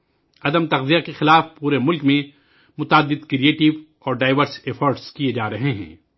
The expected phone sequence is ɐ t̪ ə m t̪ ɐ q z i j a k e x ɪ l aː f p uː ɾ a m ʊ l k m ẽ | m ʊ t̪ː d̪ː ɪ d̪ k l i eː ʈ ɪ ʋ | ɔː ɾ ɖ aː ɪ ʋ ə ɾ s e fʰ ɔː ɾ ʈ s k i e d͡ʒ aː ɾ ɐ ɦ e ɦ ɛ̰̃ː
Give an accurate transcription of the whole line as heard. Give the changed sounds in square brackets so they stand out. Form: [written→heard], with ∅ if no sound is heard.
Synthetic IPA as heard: ɐ [t̪→d̪] ə m t̪ ɐ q z i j a k e x ɪ l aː f p uː ɾ [a→e] m ʊ l k m ẽ | m ʊ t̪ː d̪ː ɪ d̪ k [l→ɾ] i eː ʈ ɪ ʋ | ɔː ɾ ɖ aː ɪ ʋ ə ɾ s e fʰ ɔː ɾ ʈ s k i e d͡ʒ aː ɾ ɐ ɦ e ɦ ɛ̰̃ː